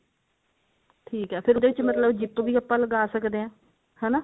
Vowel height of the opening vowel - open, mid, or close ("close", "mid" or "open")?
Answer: close